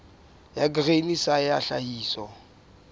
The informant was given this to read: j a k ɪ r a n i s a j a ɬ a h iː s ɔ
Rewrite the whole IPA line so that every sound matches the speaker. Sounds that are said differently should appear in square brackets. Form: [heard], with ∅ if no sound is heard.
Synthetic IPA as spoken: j a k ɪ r [e] n i s a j a ɬ a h iː s ɔ